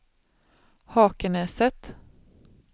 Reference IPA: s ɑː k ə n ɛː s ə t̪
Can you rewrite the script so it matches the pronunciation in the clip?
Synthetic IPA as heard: h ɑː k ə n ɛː s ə t̪